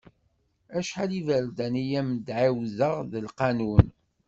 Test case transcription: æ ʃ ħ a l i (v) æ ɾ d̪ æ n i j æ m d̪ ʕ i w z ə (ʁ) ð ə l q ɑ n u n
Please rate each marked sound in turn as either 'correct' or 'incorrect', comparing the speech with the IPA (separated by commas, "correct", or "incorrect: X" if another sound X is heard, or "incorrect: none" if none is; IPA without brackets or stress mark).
correct, correct